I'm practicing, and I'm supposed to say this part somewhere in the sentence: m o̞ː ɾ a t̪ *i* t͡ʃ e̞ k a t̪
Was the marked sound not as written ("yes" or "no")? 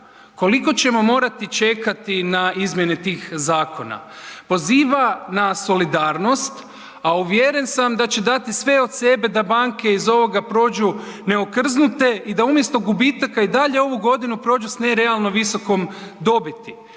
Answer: no